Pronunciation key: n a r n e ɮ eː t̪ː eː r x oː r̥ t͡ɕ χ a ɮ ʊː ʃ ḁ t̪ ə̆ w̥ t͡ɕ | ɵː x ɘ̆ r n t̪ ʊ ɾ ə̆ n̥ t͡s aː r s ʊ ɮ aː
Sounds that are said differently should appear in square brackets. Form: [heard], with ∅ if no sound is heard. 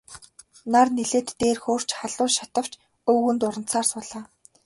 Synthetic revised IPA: n a r n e ɮ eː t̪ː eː r x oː r̥ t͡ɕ χ a ɮ ʊː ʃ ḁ t̪ ə̆ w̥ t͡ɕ | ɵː [ɣ] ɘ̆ [∅] n t̪ ʊ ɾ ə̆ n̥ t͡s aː r s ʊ ɮ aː